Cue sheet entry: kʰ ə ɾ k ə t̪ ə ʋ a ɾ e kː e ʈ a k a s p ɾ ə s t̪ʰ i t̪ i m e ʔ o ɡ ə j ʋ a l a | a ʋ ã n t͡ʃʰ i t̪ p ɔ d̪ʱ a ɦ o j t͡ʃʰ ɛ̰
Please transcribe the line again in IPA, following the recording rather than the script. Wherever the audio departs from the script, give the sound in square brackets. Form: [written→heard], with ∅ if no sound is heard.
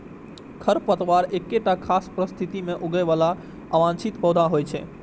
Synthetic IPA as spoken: kʰ ə ɾ [k→p] ə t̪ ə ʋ a ɾ e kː e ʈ a [k→kʰ] a s p ɾ ə s t̪ʰ i t̪ i m e ʔ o ɡ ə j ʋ a l a | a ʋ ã n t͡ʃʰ i t̪ p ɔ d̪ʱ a ɦ o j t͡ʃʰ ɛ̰